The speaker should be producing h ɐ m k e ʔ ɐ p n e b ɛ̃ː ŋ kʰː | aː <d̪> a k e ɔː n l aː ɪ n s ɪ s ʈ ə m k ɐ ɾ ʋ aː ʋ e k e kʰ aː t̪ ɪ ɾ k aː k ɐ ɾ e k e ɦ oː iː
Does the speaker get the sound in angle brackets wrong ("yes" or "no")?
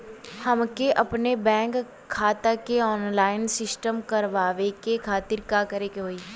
yes